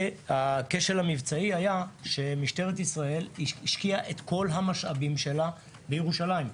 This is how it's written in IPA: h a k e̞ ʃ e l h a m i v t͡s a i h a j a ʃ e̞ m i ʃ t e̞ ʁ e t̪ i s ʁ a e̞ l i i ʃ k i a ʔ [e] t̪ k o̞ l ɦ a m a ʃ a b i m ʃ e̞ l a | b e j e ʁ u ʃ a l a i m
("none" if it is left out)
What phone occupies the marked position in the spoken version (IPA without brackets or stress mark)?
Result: e